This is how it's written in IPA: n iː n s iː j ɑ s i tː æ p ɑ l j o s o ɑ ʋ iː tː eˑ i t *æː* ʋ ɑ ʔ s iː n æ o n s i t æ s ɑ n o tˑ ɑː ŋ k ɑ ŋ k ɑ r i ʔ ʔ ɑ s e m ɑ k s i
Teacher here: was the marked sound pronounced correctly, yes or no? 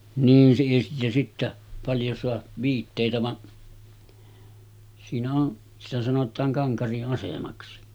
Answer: no